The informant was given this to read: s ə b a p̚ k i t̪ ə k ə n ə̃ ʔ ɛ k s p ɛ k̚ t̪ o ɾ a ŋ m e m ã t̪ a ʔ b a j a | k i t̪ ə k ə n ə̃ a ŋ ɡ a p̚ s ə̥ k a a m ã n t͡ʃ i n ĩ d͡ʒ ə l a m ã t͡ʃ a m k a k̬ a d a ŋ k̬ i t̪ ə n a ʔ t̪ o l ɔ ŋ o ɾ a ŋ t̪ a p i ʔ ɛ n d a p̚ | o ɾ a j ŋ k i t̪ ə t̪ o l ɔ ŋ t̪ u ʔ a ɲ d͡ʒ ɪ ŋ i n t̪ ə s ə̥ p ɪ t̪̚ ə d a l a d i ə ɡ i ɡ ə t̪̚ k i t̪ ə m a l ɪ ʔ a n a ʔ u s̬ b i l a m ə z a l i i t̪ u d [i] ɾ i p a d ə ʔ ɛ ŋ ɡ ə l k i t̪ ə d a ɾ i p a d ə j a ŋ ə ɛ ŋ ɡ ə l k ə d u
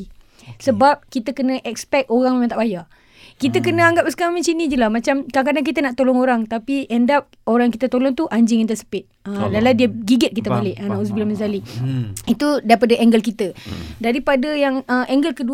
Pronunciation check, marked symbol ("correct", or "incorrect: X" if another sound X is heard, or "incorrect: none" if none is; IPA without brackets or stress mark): incorrect: a